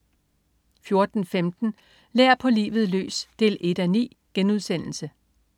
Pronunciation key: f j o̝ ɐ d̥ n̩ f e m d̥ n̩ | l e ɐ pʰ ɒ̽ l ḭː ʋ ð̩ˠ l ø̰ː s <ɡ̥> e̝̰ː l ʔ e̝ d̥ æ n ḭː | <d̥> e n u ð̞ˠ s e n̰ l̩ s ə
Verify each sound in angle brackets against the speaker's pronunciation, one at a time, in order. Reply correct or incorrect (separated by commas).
incorrect, incorrect